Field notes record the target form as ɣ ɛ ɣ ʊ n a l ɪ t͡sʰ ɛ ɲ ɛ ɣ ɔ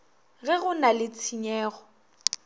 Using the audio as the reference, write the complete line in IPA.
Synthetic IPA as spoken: ɣ ɛ ɣ ʊ n a l ɪ t͡sʰ i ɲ ɛː ɣ ɔ